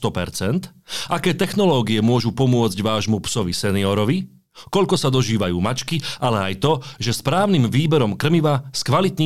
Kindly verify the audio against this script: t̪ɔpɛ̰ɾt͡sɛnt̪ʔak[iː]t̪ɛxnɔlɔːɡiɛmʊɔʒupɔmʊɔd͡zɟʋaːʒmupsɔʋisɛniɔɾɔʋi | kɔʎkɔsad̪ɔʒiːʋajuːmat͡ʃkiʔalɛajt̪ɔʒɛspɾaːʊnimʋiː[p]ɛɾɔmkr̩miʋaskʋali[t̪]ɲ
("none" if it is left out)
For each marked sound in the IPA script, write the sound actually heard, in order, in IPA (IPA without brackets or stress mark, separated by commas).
ɛː, b, t̪